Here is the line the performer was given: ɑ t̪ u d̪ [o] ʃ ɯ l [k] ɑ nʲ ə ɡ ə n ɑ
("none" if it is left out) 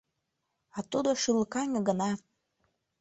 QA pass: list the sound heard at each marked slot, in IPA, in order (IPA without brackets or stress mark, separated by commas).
o, k